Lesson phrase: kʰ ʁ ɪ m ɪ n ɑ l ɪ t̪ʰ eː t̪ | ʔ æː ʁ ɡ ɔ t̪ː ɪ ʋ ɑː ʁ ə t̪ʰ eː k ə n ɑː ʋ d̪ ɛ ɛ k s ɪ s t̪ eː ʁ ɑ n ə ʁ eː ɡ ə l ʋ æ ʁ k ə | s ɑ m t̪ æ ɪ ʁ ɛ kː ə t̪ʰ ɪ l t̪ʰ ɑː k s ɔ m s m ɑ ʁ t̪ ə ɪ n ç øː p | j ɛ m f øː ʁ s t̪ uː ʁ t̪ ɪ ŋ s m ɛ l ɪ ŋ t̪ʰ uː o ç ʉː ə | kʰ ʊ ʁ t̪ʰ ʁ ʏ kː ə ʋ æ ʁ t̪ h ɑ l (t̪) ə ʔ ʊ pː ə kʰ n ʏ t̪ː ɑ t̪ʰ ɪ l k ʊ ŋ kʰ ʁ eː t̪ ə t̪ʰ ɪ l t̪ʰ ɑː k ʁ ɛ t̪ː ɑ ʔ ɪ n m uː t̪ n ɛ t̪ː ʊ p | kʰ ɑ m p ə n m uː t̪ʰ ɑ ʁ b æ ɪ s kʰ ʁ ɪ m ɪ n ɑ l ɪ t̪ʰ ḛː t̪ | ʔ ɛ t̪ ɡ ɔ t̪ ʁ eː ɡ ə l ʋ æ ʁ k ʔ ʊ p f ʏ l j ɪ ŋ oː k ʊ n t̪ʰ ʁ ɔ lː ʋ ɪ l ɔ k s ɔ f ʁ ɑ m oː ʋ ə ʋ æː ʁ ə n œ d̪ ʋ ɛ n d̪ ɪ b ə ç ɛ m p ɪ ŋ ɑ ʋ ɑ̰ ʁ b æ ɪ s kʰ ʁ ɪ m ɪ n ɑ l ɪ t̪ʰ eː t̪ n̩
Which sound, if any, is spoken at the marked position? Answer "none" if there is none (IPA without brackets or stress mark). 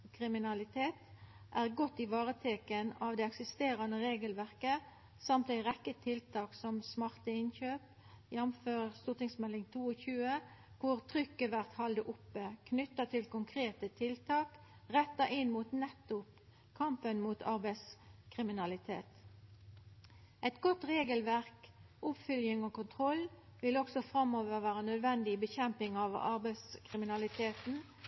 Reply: d̪